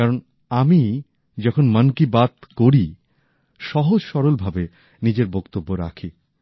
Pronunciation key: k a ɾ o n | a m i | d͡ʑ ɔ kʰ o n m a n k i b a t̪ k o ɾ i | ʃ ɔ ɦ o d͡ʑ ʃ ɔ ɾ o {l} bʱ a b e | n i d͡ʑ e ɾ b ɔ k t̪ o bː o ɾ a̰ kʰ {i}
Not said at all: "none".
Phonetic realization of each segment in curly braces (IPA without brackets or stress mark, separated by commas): l, i